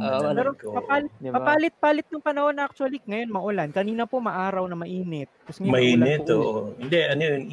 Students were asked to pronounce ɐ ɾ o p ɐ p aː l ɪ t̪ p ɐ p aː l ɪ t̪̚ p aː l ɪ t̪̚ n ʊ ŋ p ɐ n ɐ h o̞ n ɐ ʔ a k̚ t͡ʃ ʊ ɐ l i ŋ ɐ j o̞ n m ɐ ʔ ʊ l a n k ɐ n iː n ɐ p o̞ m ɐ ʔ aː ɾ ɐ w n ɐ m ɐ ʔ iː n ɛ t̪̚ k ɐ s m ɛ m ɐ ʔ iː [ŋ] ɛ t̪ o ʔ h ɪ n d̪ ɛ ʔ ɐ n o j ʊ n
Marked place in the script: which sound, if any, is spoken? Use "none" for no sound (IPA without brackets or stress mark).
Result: n